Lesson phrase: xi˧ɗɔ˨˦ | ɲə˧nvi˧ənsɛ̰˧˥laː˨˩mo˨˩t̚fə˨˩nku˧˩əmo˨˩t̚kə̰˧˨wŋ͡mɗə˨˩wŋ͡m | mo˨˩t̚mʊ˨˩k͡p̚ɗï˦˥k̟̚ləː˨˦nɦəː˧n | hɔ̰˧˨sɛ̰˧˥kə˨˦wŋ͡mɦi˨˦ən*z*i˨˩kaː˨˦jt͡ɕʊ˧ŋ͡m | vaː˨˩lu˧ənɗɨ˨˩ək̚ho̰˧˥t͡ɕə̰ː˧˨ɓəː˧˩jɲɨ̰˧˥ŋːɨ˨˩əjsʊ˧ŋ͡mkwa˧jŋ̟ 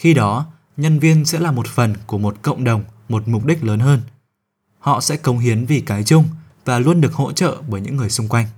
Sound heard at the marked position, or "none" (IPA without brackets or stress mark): v